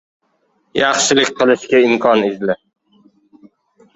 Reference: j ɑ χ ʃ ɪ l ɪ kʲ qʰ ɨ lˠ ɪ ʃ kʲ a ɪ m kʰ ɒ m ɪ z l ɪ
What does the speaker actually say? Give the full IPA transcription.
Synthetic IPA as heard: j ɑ χ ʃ ɪ l ɪ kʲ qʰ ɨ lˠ ɪ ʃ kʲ a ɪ m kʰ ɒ n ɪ z l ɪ